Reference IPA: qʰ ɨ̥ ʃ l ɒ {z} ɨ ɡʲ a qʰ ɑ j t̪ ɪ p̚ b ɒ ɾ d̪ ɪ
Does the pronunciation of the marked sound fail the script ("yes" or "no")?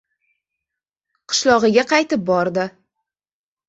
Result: yes